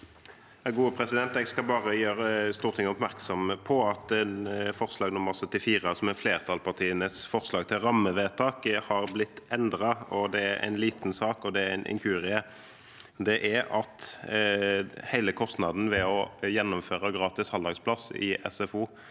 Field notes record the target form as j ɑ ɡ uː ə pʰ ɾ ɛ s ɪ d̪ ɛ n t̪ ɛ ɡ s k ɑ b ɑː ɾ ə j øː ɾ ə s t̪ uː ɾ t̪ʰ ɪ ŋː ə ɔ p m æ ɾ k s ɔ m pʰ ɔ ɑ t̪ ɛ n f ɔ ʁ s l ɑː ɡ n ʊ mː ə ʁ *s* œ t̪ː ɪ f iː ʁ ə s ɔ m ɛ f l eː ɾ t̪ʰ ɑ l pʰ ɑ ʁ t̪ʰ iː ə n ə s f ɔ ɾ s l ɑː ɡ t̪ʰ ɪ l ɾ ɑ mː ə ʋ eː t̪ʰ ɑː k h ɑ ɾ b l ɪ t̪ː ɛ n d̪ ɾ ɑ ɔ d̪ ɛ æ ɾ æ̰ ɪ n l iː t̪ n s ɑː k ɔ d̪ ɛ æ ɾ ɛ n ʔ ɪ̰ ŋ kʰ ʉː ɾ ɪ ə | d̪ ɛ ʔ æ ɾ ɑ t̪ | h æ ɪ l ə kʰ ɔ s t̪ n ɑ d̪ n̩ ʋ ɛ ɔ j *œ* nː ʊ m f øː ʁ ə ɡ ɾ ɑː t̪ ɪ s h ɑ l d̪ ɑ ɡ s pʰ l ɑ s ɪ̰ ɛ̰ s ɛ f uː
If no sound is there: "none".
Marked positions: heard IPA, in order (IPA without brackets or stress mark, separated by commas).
s, ɛ